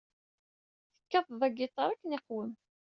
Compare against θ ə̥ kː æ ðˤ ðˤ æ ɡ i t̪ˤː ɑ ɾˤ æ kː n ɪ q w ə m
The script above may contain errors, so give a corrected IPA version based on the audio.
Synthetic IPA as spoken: θ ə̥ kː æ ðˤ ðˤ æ ɡ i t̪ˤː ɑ ɾˤ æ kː n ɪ q w ə m